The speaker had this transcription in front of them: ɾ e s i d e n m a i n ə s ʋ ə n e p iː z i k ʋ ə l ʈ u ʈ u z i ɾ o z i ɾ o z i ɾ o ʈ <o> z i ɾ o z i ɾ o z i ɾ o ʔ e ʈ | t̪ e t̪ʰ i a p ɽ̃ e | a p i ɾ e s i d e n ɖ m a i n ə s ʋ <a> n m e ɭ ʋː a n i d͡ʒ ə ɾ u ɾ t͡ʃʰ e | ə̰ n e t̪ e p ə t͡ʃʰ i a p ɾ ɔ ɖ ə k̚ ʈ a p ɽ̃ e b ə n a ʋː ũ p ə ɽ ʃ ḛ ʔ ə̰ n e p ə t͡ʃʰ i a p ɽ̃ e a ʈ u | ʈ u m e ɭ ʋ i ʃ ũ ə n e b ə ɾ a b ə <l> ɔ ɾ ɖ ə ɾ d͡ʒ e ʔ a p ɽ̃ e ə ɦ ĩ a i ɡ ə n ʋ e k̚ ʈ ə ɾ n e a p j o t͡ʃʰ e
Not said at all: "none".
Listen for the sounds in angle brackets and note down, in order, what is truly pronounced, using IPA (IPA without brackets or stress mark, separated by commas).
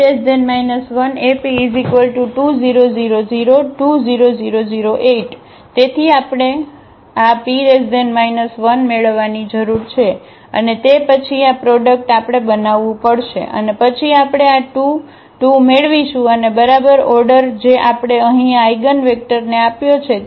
u, ə, ɾ